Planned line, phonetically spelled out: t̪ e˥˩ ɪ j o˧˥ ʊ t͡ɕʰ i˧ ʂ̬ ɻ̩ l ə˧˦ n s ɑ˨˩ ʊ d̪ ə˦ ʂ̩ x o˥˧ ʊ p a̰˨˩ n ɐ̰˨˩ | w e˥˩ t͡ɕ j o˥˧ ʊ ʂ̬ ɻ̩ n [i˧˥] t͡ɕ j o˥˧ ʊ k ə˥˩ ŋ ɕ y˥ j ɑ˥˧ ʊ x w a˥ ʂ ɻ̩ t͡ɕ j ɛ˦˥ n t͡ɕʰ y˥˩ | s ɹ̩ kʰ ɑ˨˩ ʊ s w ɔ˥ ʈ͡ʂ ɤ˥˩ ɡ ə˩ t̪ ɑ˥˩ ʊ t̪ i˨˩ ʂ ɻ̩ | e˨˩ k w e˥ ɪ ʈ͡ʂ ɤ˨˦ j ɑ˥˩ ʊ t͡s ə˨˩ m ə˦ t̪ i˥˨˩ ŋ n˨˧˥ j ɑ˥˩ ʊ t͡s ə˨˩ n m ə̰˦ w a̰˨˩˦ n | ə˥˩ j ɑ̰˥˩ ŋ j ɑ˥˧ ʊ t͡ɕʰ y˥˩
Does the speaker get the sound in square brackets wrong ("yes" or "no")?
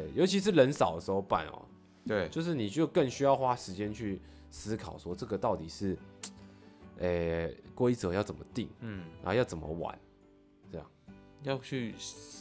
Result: yes